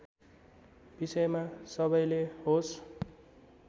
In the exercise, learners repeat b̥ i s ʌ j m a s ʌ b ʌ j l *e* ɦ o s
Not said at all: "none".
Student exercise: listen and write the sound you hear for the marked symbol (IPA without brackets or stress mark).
e